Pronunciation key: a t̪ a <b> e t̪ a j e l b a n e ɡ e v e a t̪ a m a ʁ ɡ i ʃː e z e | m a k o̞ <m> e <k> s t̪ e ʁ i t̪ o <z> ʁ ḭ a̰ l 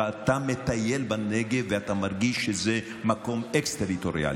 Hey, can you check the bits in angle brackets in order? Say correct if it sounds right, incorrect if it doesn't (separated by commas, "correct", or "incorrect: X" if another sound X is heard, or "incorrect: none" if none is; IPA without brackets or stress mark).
incorrect: m, correct, correct, incorrect: none